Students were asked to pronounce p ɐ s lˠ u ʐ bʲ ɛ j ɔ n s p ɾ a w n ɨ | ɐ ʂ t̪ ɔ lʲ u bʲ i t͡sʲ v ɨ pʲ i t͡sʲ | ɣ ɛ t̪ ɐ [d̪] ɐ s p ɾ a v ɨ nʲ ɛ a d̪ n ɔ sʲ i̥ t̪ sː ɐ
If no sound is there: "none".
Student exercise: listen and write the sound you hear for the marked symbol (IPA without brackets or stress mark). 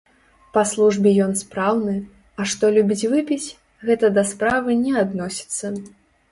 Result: d̪